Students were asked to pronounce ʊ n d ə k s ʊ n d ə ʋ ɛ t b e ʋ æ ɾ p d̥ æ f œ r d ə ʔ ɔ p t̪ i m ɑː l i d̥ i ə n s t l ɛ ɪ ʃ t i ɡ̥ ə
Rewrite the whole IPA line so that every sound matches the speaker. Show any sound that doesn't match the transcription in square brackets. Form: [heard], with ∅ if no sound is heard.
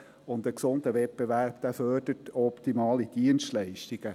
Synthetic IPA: ʊ n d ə k s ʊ n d ə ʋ ɛ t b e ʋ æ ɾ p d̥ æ f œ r d ə [t] ɔ p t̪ i m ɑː l i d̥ i ə n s t l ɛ ɪ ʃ t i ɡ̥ ə